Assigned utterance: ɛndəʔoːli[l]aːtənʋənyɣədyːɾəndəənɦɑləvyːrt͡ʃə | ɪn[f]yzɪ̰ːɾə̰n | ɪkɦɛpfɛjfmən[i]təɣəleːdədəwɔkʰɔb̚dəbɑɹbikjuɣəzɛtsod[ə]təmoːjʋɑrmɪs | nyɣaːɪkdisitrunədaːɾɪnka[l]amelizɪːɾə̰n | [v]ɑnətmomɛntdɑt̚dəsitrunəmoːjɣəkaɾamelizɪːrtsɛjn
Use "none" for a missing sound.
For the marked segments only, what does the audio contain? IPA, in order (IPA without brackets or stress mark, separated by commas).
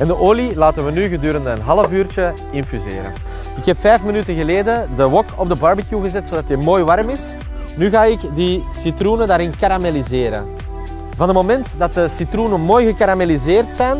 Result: l, f, y, ɑ, ɾ, v